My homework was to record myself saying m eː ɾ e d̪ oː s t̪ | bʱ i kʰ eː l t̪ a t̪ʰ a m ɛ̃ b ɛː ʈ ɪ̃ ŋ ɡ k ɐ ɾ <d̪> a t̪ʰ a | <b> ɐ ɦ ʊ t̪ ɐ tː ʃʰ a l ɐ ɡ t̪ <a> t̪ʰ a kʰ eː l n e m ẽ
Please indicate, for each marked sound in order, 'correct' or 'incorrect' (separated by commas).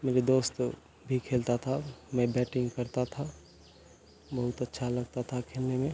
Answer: incorrect, correct, correct